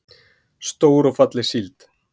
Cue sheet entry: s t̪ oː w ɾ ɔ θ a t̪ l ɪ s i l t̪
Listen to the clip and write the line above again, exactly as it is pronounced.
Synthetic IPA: s t̪ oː w ɾ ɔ f a t̪ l ɪ s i l t̪